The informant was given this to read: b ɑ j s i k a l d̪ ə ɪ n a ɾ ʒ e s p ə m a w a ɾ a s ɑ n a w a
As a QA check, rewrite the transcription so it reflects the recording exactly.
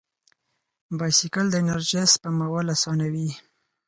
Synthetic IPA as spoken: b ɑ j s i k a l d̪ ə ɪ n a ɾ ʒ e s p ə m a w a l a s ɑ n a w i